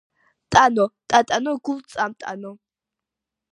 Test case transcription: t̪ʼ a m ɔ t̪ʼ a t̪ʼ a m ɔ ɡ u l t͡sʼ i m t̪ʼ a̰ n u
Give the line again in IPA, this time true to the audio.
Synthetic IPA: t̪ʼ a n ɔ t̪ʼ a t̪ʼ a n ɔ ɡ u l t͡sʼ a m t̪ʼ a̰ n ɔ